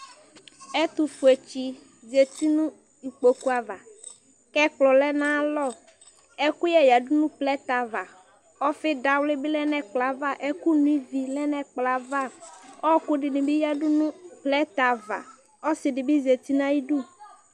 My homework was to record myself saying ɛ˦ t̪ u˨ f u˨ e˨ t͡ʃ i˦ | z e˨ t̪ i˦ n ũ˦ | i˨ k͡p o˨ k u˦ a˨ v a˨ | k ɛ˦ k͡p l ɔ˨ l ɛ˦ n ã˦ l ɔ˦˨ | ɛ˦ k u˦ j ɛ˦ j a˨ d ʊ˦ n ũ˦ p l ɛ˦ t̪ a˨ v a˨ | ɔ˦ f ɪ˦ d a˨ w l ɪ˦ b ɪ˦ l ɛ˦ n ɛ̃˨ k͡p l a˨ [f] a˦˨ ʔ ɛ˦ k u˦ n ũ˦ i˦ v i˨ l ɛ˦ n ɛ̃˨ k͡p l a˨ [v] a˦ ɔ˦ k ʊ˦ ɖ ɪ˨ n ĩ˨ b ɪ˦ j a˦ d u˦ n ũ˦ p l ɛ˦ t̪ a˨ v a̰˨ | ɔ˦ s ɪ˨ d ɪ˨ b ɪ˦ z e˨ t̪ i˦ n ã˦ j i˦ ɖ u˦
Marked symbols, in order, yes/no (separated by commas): no, yes